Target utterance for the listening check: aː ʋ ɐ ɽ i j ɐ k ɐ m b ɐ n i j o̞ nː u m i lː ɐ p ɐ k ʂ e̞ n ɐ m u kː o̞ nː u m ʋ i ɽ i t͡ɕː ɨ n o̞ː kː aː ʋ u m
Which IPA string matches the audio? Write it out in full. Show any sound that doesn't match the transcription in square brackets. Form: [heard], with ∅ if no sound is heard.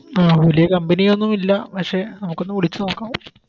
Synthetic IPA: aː ʋ ɐ [l] i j ɐ k ɐ m b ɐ n i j o̞ nː u m i lː ɐ p ɐ k ʂ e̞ n ɐ m u kː o̞ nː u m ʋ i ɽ i t͡ɕː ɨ n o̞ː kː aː ʋ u m